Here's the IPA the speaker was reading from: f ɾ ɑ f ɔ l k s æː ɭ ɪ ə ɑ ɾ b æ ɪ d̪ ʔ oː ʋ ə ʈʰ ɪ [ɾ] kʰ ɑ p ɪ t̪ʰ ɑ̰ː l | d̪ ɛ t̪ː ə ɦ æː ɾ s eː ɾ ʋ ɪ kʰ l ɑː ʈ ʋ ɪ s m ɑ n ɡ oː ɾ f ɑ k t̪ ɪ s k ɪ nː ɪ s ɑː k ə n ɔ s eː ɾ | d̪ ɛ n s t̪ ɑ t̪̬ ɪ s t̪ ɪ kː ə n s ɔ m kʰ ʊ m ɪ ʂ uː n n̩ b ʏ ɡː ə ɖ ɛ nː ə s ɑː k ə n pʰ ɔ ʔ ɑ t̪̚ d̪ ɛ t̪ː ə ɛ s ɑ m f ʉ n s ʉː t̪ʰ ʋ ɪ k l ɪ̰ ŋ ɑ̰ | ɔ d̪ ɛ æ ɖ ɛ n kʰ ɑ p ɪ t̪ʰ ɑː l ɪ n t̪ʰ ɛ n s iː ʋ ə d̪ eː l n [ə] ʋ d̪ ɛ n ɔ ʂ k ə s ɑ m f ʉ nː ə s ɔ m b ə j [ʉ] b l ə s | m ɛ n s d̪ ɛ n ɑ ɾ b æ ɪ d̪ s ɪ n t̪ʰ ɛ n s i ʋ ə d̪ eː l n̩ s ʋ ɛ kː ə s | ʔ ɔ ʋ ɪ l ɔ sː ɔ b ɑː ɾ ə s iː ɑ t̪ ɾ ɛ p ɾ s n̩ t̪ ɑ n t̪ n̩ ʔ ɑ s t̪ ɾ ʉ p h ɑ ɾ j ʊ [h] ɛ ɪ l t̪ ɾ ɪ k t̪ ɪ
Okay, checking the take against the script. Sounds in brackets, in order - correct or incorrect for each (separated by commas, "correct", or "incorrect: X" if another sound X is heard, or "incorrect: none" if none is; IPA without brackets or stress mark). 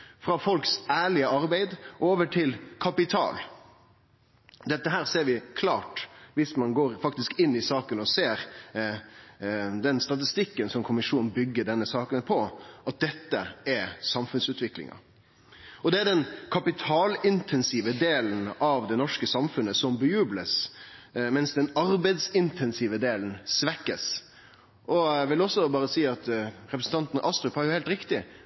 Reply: incorrect: l, incorrect: ɑ, incorrect: ʉː, correct